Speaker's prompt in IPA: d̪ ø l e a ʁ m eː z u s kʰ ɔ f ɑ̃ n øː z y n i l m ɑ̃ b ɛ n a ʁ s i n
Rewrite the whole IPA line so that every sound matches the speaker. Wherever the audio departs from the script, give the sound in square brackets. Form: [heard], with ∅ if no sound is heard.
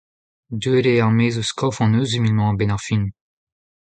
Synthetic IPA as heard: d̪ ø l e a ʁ m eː z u s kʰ ɔ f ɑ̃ n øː z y [m] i l m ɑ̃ b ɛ n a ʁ [f] i n